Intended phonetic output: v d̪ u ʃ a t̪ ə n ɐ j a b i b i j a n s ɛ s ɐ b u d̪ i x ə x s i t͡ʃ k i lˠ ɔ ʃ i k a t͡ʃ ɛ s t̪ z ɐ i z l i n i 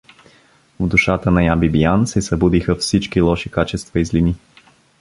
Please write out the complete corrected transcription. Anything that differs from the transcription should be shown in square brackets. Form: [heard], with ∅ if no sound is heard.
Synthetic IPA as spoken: v d̪ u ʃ a t̪ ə n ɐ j a b i b i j a n s ɛ s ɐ b u d̪ i x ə [f] s i t͡ʃ k i lˠ ɔ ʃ i k a t͡ʃ ɛ s t̪ [v] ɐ i z l i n i

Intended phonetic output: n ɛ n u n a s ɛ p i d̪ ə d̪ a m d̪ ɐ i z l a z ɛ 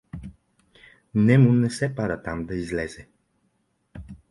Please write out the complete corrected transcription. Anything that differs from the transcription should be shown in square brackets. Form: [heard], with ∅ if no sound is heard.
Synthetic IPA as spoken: n ɛ [m] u n [ɛ] s ɛ p [a] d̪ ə [t̪] a m d̪ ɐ i z l [ɛ] z ɛ

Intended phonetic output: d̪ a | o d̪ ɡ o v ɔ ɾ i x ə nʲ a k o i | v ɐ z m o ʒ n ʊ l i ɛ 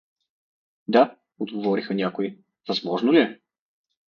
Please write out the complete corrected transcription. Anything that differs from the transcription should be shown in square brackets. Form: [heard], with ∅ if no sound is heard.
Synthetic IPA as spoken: d̪ a | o d̪ ɡ o v ɔ ɾ i x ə nʲ a k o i | v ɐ z m [ɔ] ʒ n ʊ l i ɛ

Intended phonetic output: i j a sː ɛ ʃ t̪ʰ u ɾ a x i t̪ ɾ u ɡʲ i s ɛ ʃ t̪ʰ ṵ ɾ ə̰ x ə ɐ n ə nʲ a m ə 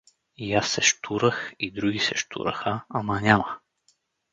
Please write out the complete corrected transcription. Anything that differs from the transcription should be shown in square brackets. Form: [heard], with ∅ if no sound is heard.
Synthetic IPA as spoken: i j a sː ɛ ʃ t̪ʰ u ɾ [ə] x i [d̪] ɾ u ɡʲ i s ɛ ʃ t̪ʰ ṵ ɾ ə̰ x ə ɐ [m] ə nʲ a m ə

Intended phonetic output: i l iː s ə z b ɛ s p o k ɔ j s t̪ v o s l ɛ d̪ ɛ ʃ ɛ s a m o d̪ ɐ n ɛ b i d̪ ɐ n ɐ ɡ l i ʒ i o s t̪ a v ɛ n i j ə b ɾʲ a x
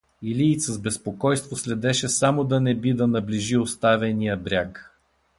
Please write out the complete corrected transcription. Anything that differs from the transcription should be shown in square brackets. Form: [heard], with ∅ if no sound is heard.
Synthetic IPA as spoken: i l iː s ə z b ɛ s p o k ɔ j s t̪ v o s l ɛ d̪ ɛ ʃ ɛ s a m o d̪ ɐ n ɛ b i d̪ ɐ n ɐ [b] l i ʒ i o s t̪ a v ɛ n i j ə b ɾʲ a [k]

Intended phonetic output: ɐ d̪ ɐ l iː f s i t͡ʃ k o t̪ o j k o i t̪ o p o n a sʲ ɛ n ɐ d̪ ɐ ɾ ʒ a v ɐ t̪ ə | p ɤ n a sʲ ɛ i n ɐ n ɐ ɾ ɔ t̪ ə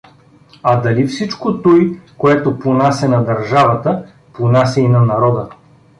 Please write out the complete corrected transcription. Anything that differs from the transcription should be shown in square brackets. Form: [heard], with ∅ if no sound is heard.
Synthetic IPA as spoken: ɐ d̪ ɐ l [i] f s i t͡ʃ k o t̪ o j k o [ɛ] t̪ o p o n a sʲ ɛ n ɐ d̪ ɐ ɾ ʒ a v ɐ t̪ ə | p [o] n a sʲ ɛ i n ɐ n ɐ ɾ ɔ [d̪] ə

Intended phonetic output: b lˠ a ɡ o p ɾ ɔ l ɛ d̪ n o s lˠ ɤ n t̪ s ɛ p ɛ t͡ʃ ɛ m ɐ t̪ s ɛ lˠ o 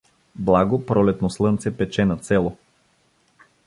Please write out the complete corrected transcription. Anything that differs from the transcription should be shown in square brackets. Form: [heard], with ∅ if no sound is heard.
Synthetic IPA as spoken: b lˠ a ɡ o p ɾ ɔ l ɛ [t̪] n o s lˠ ɤ n t̪ s ɛ p ɛ t͡ʃ ɛ [n] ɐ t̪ s ɛ lˠ o

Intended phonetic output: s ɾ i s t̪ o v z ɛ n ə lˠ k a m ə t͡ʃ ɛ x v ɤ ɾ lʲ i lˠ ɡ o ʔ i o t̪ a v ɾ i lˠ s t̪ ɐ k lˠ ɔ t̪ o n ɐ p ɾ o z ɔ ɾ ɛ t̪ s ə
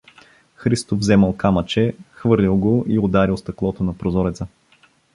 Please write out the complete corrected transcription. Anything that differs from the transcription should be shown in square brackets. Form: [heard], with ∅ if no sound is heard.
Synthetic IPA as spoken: [x] ɾ i s t̪ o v z ɛ [m] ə lˠ k a m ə t͡ʃ ɛ x v ɤ ɾ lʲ i lˠ ɡ o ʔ i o [d̪] a [∅] ɾ i lˠ s t̪ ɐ k lˠ ɔ t̪ o n ɐ p ɾ o z ɔ ɾ ɛ t̪ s ə

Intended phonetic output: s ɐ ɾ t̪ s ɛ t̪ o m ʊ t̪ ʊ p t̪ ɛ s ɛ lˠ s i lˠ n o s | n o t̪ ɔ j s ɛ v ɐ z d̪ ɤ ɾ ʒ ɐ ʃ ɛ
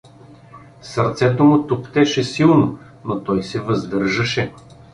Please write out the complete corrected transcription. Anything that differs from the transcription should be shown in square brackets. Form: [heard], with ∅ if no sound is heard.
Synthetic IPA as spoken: s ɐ ɾ t̪ s ɛ t̪ o m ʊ t̪ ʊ p t̪ ɛ [ʃ] ɛ [∅] s i lˠ n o [∅] | n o t̪ ɔ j s ɛ v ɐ z d̪ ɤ ɾ ʒ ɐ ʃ ɛ

